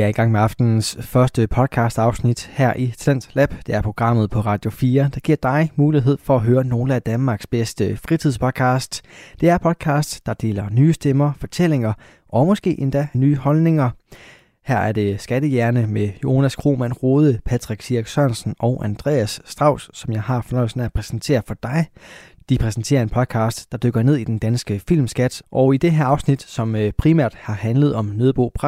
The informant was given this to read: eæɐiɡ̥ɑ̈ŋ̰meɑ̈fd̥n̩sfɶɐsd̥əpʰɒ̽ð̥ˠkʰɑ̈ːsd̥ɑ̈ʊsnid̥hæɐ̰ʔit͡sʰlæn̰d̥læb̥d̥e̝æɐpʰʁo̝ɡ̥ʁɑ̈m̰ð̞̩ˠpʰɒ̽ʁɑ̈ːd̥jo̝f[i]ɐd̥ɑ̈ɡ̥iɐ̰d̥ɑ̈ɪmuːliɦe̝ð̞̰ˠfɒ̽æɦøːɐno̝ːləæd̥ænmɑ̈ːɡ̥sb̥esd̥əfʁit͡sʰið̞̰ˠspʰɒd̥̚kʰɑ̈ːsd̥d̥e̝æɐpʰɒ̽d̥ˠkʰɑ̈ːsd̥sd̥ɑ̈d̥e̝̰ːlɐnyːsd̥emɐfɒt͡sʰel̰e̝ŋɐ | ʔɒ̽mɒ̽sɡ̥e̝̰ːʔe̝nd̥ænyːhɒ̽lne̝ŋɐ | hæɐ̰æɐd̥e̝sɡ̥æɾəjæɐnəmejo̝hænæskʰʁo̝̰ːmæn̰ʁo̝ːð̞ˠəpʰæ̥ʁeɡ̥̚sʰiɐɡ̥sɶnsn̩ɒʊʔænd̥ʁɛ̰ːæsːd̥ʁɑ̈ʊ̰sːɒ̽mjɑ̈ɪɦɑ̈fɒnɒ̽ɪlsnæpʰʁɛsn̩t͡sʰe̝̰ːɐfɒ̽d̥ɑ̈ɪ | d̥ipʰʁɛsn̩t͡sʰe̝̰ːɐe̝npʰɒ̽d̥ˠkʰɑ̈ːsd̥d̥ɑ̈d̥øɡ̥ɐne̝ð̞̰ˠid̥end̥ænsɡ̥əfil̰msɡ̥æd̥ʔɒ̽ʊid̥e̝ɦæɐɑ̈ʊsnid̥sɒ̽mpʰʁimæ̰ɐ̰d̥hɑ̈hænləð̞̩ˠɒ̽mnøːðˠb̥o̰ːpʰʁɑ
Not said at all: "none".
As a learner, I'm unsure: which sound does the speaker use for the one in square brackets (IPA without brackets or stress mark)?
iː